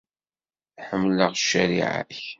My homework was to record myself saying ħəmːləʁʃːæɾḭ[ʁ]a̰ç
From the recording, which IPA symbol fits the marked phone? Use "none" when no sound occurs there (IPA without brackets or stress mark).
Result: ʕ